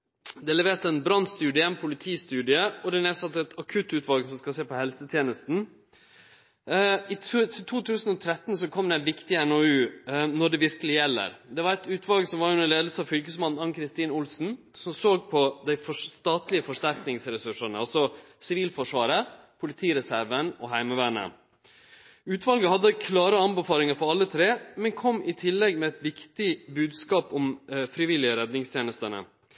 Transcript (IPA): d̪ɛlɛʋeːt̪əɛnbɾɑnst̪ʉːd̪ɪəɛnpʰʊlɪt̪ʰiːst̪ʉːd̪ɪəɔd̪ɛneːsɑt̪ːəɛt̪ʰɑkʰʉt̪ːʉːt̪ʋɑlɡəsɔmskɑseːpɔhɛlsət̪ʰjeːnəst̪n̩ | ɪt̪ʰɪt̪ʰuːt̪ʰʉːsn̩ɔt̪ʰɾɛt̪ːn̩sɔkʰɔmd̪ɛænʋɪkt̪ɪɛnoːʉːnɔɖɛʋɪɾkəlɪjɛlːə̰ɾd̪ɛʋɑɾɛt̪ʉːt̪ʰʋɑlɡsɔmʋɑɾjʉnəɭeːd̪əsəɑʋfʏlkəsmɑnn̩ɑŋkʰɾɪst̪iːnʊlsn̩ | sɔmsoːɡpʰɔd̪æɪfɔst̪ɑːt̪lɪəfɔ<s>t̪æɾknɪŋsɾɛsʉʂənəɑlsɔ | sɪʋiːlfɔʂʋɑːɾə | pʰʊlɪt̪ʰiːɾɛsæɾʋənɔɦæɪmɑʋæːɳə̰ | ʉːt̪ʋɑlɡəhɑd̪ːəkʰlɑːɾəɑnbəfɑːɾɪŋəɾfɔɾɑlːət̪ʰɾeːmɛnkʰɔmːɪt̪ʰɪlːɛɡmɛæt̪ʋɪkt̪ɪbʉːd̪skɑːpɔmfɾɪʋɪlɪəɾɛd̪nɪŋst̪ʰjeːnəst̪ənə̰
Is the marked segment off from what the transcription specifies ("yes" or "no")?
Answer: yes